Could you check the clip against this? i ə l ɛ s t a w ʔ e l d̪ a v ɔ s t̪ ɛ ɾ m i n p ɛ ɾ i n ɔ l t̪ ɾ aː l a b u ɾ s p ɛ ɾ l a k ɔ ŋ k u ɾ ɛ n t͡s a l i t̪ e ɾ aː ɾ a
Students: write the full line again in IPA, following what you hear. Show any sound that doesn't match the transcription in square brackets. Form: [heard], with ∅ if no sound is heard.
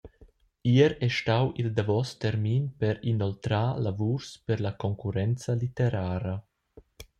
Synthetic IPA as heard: i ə [ɾ] ɛ [ʃ] t a w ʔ [i] l d̪ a v ɔ s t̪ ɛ ɾ m i n p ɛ ɾ i n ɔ l t̪ ɾ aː l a [v] u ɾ s p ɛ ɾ l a k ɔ ŋ k u ɾ ɛ n t͡s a l i t̪ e ɾ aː ɾ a